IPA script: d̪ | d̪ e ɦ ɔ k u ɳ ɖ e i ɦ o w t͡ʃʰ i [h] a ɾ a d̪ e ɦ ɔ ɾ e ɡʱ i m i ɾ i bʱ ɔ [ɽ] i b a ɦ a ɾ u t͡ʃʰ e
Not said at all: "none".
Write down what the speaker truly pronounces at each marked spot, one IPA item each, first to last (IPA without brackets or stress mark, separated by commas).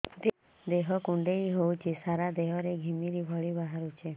s, ɭ